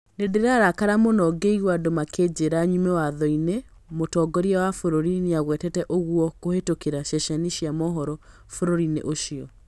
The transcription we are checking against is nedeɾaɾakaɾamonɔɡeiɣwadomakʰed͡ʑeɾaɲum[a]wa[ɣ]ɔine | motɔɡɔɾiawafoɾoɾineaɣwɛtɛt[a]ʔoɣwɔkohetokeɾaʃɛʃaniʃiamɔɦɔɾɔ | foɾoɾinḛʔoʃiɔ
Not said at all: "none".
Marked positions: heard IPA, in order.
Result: ɛ, ð, ɛ

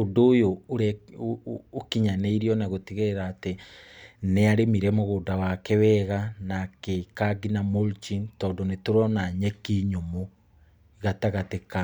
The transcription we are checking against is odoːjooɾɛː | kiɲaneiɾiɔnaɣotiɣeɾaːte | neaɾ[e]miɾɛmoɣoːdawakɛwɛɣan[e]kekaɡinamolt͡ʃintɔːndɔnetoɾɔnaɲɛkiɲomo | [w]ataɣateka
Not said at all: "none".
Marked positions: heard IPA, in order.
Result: e, a, ɣ

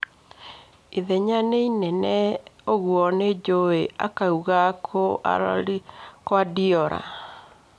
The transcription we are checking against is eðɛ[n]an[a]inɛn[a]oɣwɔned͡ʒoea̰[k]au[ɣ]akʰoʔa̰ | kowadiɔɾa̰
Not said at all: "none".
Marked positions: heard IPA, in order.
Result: ɲ, e, ɛ, k, ɣ

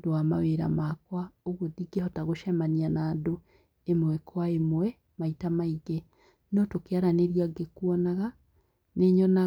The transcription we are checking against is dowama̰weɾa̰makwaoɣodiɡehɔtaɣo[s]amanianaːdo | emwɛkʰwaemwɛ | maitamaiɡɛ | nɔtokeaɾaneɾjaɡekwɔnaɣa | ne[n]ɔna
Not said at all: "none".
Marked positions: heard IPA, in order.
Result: ʃ, ɲ

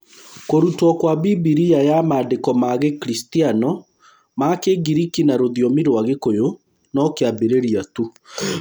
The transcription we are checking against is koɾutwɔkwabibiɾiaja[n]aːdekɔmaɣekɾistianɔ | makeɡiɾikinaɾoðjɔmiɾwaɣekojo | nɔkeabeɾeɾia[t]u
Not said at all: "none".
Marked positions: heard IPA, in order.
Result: m, t

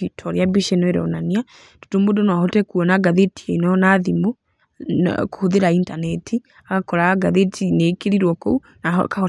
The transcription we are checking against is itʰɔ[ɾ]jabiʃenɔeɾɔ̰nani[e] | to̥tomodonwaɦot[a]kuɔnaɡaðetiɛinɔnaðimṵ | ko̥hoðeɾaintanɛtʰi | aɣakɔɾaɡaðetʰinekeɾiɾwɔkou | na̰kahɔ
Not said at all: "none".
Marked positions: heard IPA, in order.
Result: ɾ, a, ɛ

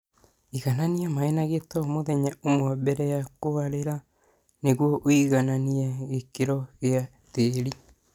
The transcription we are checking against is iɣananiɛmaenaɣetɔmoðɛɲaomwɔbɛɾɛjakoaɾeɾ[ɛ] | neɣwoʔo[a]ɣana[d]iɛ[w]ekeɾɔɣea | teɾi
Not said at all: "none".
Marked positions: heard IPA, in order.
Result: a, i, n, ɣ

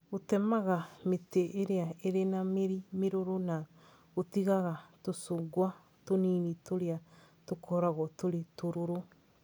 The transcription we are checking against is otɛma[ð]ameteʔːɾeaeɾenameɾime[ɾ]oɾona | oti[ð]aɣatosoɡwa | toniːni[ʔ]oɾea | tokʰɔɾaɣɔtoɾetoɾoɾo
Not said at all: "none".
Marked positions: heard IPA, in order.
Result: ɣ, ɾ, ɣ, t

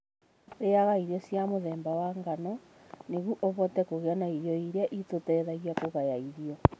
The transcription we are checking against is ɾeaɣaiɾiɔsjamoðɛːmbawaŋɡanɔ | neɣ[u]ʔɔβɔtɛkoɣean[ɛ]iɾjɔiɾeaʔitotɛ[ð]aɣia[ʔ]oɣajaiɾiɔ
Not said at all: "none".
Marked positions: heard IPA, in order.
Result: u, a, ð, k

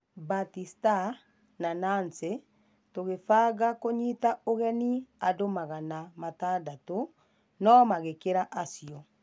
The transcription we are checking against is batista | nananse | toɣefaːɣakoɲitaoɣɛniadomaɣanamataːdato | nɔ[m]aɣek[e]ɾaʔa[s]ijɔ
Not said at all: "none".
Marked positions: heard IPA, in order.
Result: m, e, s

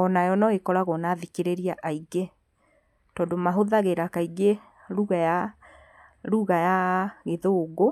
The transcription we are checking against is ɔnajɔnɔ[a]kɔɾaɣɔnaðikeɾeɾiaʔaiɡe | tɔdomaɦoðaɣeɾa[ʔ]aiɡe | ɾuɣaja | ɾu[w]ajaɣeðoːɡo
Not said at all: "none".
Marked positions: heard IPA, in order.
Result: e, k, ɣ

